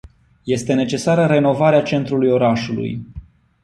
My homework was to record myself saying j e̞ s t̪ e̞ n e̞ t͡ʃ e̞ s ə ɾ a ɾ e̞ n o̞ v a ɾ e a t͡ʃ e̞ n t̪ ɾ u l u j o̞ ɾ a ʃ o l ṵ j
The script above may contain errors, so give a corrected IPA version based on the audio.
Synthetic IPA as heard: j e̞ s t̪ e̞ n e̞ t͡ʃ e̞ s a ɾ ə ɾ e̞ n o̞ v a ɾ e a t͡ʃ e̞ n t̪ ɾ u l u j o̞ ɾ a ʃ u l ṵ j